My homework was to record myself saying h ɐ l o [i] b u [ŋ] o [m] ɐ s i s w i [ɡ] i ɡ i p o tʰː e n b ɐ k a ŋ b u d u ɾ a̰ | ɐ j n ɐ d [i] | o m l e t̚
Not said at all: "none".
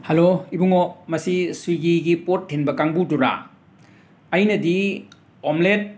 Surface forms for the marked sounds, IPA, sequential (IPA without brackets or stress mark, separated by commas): i, ŋ, m, ɡ, i